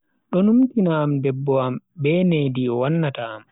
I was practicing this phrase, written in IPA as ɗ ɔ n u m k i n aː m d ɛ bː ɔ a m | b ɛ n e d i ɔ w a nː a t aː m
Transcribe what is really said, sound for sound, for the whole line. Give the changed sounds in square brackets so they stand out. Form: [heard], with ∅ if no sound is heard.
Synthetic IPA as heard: ɗ ɔ n u m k i n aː m d ɛ bː ɔ a m | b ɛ n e d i ɔ w a nː a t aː m

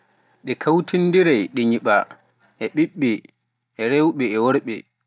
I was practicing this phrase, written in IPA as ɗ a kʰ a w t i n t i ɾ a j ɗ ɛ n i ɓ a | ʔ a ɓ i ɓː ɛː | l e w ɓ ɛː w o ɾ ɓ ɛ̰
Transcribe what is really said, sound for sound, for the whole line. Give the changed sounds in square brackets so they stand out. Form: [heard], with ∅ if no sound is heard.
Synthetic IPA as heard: ɗ [ɛ] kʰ a w t i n [d] i ɾ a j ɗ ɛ [ɲ] i ɓ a | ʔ [ɛ] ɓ i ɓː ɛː | [ɾ] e w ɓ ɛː w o ɾ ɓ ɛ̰

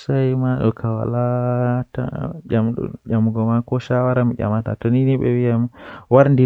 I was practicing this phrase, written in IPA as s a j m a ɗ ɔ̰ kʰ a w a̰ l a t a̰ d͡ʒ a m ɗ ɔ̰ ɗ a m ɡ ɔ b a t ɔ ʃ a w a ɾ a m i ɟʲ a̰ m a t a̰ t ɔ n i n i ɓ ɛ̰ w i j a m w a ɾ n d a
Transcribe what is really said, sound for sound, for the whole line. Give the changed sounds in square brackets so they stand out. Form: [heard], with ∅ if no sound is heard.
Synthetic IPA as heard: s a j m a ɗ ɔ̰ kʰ a w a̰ l a t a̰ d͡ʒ a m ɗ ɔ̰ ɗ a m ɡ ɔ [m] a [k] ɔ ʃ a w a ɾ a m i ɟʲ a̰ m a t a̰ t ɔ n i n i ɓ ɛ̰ w i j a m w a ɾ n d [i]

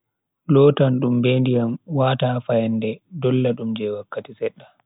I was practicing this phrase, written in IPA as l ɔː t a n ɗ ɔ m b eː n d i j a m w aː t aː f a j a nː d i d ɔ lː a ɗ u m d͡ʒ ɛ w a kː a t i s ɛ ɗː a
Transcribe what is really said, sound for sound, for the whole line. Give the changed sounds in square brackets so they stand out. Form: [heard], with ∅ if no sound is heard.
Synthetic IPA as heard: l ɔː t a n ɗ [u] m b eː n d i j a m w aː t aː f a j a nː d [ɛ] d ɔ lː a ɗ u m d͡ʒ ɛ w a kː a t i s ɛ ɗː a

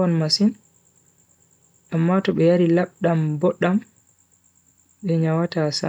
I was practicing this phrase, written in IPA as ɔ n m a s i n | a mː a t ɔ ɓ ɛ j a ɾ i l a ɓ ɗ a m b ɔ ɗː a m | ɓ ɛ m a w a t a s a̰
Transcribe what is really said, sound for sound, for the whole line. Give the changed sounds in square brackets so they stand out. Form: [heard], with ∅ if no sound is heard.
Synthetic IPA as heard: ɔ n m a s i n | a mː a t ɔ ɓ ɛ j a ɾ i l a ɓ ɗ a m b ɔ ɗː a m | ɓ ɛ [ɲ] a w a t a s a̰

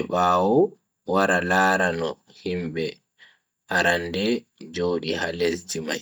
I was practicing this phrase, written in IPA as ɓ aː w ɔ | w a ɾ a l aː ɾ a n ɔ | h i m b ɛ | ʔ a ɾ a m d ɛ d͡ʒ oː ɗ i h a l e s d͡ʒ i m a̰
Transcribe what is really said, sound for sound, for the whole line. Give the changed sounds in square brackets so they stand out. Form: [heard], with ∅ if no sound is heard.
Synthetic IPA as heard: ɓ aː w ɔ | w a ɾ a l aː ɾ a n ɔ | h i m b ɛ | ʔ a ɾ a [n] d ɛ d͡ʒ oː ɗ i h a l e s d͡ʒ i m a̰

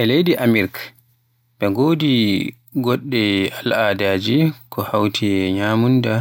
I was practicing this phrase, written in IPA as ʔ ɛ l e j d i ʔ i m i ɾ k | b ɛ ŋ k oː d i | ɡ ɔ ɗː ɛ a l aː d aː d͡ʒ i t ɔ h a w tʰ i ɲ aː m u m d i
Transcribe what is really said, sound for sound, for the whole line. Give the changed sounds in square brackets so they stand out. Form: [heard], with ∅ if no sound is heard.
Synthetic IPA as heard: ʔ ɛ l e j d i ʔ [a] m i ɾ k | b ɛ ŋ [ɡ] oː d i | ɡ ɔ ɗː ɛ a l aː d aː d͡ʒ i [k] ɔ h a w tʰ i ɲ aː m u [n] d [a]

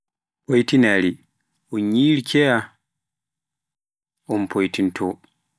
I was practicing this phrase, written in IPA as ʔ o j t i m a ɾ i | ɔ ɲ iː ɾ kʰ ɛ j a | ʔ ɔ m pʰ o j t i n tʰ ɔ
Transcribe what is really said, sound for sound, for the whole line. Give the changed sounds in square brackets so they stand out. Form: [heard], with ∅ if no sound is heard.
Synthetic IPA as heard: [p] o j t i [n] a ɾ i | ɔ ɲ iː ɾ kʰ ɛ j a | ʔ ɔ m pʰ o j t i n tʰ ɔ

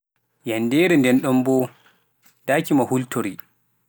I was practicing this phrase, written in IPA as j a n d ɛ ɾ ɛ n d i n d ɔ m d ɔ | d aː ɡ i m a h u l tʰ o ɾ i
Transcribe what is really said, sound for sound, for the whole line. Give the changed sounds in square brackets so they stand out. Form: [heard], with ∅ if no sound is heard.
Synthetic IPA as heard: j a n d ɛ ɾ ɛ n d [ɛ] n [ɗ] ɔ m [b] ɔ | d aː [k] i m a h u l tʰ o ɾ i

